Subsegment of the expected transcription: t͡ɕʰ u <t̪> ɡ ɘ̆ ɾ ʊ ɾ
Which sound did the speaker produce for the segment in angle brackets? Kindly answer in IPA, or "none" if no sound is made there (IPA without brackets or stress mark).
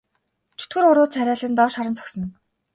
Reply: t̪